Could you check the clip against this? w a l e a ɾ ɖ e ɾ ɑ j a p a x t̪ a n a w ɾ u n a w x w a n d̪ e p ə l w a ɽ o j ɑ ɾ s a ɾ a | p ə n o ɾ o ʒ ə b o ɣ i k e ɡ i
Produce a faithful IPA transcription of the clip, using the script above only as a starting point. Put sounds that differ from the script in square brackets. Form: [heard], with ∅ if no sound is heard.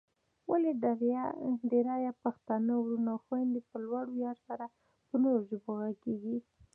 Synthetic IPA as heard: w a l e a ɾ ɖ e ɾ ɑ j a p a x t̪ a n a w ɾ u n a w x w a n d̪ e p ə l w a ɽ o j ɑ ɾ s a ɾ a | p ə n o ɾ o ʒ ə b o ɣ [a] k e ɡ i